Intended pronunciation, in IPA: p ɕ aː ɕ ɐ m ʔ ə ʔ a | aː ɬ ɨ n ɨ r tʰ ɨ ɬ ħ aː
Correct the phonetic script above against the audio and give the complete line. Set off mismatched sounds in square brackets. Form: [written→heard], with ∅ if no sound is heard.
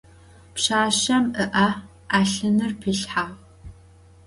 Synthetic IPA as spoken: p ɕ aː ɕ ɐ m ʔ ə ʔ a | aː ɬ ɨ n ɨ r [tʰ→pʰ] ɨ ɬ ħ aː